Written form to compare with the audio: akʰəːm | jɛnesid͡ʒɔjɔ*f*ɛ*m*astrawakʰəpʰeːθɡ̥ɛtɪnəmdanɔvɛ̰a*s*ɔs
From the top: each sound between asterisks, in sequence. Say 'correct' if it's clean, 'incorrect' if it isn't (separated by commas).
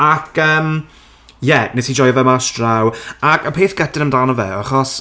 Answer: incorrect, correct, incorrect